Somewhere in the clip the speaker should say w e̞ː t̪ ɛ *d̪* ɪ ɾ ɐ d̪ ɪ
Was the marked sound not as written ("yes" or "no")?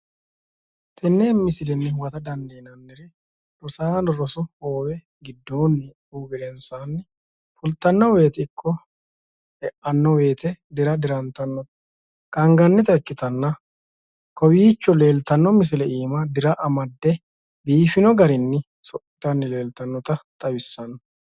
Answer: no